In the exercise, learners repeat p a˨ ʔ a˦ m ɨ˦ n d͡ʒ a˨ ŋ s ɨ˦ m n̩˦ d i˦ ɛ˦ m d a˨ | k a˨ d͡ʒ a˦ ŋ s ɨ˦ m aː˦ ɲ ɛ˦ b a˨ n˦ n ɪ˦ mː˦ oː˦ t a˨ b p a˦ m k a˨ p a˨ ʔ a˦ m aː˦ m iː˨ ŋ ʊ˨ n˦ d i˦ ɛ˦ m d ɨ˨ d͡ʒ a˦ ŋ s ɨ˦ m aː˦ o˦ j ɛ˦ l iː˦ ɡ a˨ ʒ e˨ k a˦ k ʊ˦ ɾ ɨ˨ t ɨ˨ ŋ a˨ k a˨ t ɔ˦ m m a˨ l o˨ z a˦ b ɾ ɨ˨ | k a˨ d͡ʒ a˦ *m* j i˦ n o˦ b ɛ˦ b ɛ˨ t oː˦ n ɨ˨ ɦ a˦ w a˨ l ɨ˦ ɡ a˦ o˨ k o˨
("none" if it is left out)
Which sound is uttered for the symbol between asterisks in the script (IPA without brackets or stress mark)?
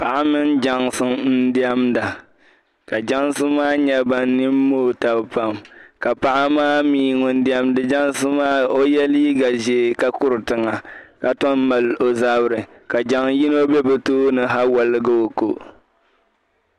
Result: ŋ